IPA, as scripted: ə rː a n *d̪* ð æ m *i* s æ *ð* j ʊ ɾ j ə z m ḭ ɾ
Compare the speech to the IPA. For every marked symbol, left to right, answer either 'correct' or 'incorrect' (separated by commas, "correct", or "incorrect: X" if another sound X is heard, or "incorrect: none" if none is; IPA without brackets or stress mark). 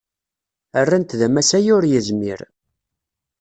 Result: incorrect: t̪, incorrect: æ, incorrect: none